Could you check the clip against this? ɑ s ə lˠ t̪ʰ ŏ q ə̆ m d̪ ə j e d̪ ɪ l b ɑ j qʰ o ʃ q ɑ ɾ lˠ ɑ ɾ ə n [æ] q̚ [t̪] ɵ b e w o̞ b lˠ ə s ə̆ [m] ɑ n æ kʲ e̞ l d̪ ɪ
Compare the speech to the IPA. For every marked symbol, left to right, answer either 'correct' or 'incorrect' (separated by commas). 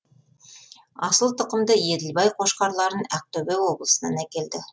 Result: correct, correct, incorrect